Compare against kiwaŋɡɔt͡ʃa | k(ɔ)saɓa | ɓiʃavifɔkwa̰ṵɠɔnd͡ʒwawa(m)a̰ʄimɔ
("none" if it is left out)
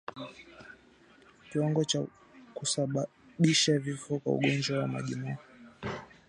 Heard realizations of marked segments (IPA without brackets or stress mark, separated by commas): u, m